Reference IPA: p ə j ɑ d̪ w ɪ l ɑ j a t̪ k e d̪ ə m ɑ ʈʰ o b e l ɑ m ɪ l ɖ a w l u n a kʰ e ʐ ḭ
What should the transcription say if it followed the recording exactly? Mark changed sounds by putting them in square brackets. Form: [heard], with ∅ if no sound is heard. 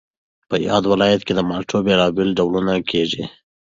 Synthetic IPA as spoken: p ə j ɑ d̪ w ɪ l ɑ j a t̪ k e d̪ ə m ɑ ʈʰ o b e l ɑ [b] ɪ l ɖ a w l u n a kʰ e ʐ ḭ